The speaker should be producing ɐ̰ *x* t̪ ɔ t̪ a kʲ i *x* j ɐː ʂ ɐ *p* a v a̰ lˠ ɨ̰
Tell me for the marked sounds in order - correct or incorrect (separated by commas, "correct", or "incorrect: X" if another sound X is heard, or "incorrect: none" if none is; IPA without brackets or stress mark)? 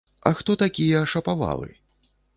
correct, incorrect: none, correct